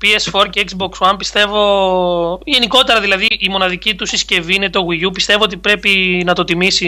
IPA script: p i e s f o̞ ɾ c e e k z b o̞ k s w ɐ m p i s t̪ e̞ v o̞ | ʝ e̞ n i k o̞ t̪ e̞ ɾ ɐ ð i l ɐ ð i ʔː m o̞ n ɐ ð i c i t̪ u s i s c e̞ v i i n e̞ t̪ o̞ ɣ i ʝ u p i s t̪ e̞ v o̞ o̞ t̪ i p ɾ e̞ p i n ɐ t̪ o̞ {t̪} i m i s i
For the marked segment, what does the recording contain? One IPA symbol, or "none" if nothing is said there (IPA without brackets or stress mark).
t̪